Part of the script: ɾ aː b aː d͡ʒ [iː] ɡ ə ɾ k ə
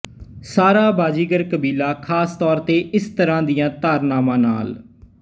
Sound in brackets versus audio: correct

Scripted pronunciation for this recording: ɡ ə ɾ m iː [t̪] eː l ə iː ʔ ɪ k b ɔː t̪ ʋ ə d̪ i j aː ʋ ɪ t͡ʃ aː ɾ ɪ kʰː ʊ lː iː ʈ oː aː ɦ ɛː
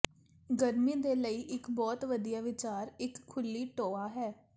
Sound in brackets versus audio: incorrect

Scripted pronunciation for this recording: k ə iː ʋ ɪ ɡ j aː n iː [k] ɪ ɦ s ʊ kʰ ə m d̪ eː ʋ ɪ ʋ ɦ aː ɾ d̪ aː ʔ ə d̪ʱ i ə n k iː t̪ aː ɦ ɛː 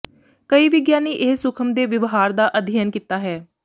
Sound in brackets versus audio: incorrect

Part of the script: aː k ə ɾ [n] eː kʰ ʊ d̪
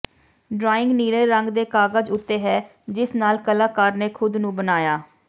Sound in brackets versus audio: correct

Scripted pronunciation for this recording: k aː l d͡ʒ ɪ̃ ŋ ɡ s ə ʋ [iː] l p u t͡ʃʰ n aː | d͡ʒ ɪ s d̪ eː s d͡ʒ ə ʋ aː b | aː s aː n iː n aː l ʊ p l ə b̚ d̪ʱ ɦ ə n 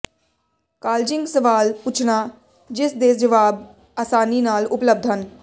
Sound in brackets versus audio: incorrect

